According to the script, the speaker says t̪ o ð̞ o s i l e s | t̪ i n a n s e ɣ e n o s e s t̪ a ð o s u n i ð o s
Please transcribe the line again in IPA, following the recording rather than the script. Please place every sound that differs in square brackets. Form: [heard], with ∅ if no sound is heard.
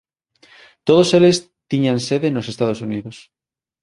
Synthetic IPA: t̪ o ð̞ o s [e] l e s | t̪ i [ɲ] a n s e [ð] e n o s e s t̪ a ð o s u n i ð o s